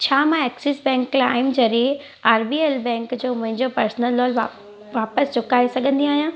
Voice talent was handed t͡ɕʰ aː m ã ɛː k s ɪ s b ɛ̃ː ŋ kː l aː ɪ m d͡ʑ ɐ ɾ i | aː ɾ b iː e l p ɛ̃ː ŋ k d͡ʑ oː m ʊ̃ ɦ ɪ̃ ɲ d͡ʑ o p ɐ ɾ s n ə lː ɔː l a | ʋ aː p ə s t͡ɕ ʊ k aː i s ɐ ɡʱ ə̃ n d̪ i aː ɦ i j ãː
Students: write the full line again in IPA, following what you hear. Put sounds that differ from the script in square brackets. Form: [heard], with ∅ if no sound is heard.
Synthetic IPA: t͡ɕʰ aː m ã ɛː k s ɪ s b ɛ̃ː ŋ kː l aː ɪ m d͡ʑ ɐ ɾ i | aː ɾ b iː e l [b] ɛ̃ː ŋ k d͡ʑ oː m ʊ̃ ɦ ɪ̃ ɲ d͡ʑ o p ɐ ɾ s n ə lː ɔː l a | ʋ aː p ə s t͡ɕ ʊ k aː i s ɐ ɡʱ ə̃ n d̪ i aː ɦ i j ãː

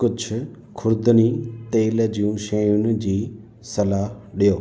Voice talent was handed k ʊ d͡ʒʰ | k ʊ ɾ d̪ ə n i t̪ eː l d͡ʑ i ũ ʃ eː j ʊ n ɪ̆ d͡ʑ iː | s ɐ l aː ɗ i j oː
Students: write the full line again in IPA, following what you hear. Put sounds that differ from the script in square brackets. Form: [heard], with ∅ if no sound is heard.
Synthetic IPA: k ʊ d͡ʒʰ | [kʰ] ʊ ɾ d̪ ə n i t̪ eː l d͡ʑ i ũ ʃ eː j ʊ n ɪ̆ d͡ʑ iː | s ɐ l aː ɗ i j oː

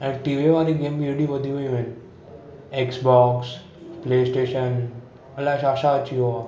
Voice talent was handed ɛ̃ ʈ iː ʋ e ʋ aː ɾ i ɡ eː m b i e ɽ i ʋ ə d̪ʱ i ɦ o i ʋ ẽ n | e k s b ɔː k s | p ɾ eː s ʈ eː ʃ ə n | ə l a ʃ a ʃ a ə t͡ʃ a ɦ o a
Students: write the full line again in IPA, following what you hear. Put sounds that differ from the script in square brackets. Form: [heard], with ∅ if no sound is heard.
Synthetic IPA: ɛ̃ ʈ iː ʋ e ʋ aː ɾ i ɡ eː m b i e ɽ i ʋ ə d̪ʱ i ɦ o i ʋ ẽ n | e k s b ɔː k s | p [l] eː s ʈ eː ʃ ə n | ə l a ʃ a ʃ a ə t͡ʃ [i] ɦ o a

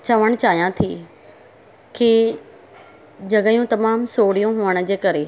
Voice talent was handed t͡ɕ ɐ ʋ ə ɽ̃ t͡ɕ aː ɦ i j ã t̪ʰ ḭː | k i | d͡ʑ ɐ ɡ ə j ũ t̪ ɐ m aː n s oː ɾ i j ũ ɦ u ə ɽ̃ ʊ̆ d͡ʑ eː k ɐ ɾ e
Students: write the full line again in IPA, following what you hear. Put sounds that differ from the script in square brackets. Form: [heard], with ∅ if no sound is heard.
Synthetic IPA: t͡ɕ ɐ ʋ ə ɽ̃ t͡ɕ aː ɦ i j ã t̪ʰ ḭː | k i | d͡ʑ ɐ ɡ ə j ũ t̪ ɐ m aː [m] s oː [ɽ] i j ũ ɦ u ə ɽ̃ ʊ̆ d͡ʑ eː k ɐ ɾ e

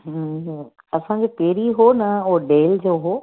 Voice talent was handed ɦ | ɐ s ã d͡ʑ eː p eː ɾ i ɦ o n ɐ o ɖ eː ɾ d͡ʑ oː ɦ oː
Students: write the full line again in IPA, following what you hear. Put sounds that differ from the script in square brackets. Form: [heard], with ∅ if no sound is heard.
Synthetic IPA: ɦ | ɐ s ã d͡ʑ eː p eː ɾ i ɦ o n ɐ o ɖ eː [l] d͡ʑ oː ɦ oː

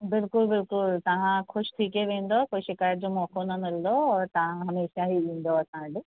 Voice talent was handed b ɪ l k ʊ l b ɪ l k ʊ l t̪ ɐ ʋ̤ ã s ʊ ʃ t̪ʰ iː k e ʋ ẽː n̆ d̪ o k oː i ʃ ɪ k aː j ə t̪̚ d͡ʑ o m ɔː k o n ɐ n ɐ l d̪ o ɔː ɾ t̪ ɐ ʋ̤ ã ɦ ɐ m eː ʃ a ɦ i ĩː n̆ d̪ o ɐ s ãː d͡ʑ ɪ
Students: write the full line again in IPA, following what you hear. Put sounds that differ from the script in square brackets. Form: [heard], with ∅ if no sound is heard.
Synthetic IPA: b ɪ l k ʊ l b ɪ l k ʊ l t̪ ɐ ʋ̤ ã [x] ʊ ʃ t̪ʰ iː k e ʋ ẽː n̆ d̪ o k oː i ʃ ɪ k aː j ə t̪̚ d͡ʑ o m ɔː k o n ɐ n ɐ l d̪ o ɔː ɾ t̪ ɐ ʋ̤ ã ɦ ɐ m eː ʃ a ɦ i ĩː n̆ d̪ o ɐ s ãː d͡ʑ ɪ

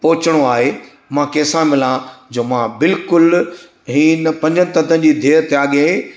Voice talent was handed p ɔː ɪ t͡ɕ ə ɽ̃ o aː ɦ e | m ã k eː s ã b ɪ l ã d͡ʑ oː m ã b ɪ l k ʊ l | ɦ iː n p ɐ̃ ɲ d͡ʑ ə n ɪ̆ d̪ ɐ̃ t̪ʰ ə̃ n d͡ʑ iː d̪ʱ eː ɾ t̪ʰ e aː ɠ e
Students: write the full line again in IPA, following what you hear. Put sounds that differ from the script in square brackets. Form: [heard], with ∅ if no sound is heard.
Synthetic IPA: p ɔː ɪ t͡ɕ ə ɽ̃ o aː ɦ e | m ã k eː s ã [m] ɪ l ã d͡ʑ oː m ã b ɪ l k ʊ l | ɦ iː n p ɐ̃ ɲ d͡ʑ ə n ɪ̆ [t̪] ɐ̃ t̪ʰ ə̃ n d͡ʑ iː d̪ʱ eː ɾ [t̪] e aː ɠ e

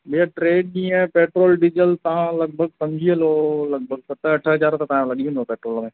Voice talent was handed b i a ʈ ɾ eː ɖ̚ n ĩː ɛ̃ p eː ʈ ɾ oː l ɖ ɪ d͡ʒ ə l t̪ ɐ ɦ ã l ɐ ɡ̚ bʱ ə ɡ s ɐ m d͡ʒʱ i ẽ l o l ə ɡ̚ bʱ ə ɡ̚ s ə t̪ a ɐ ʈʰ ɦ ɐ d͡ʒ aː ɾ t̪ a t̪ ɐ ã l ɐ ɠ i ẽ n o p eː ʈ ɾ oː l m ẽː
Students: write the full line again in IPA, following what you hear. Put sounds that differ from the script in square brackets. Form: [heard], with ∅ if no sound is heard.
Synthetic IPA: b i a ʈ ɾ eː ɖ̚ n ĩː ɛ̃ p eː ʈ ɾ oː l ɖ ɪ d͡ʒ ə l t̪ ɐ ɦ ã l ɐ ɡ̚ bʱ ə ɡ s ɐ m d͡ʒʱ i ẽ l o l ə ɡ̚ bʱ ə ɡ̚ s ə t̪ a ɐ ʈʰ ɦ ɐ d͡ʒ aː ɾ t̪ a t̪ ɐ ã l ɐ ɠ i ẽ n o p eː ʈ ɾ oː l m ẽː

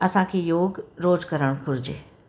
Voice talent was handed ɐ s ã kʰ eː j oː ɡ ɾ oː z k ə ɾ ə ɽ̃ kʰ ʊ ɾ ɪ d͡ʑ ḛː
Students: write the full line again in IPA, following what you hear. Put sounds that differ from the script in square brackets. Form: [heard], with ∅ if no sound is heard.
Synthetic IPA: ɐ s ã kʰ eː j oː ɡ ɾ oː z k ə ɾ ə ɽ̃ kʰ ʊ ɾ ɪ d͡ʑ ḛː

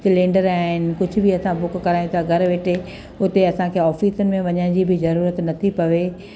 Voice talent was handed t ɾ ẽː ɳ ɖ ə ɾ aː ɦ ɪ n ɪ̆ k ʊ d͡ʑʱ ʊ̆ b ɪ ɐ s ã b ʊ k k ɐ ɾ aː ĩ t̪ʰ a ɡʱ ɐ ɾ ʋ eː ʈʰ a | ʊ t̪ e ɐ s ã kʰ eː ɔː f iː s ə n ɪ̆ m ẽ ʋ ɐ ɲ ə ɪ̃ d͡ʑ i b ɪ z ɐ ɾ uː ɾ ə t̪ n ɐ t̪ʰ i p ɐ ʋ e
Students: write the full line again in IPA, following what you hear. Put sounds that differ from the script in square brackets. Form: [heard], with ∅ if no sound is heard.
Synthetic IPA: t [l] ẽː ɳ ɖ ə ɾ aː ɦ ɪ n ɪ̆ k ʊ d͡ʑʱ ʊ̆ b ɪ ɐ s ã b ʊ k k ɐ ɾ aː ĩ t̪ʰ a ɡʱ ɐ ɾ ʋ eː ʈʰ [e] | ʊ t̪ e ɐ s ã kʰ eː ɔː f iː s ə n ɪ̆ m ẽ ʋ ɐ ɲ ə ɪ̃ d͡ʑ i b ɪ z ɐ ɾ uː ɾ ə t̪ n ɐ t̪ʰ i p ɐ ʋ e

